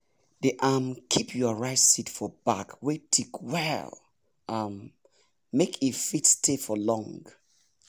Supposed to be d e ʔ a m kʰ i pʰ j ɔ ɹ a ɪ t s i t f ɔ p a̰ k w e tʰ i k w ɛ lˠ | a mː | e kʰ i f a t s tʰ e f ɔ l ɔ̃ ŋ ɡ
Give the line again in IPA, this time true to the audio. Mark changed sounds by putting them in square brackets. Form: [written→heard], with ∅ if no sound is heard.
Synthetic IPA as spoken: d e ʔ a m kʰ i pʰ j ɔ ɹ a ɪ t s i t f ɔ [p→b] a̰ k w e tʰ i k w ɛ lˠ | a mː | e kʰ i f [a→i] t s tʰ e f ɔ l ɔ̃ ŋ ɡ